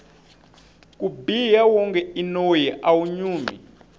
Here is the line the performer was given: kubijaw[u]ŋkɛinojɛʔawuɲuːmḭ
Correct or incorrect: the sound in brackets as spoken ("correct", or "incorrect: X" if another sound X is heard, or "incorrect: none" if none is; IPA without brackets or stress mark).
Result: incorrect: ɔ